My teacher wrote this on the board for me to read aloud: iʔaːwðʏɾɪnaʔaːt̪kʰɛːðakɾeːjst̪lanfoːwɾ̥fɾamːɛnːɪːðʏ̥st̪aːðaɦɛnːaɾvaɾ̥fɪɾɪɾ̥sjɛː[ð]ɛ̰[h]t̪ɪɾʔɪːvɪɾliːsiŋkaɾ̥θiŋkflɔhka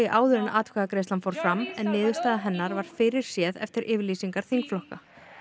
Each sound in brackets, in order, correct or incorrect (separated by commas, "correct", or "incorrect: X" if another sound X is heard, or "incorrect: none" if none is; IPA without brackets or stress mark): correct, incorrect: f